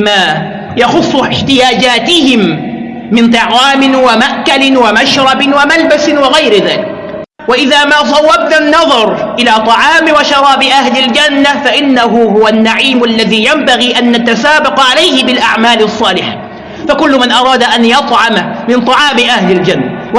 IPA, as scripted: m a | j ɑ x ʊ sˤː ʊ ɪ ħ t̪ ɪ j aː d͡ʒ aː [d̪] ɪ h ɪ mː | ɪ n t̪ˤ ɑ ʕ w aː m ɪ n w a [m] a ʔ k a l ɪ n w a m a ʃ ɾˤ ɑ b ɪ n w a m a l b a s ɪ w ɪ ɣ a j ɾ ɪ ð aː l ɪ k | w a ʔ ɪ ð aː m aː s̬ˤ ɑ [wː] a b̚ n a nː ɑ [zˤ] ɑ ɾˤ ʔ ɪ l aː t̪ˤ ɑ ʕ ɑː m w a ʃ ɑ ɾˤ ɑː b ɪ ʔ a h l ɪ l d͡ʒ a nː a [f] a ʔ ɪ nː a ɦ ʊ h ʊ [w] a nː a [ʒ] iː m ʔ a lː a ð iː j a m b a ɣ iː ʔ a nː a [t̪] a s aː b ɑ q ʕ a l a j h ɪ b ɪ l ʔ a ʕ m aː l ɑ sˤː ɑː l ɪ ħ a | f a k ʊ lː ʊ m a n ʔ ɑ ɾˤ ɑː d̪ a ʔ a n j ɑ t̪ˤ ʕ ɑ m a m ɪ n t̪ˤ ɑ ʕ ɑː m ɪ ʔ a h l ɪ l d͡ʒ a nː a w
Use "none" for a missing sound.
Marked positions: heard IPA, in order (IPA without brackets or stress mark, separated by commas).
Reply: t̪, m, wː, ðˤ, f, w, ʕ, t̪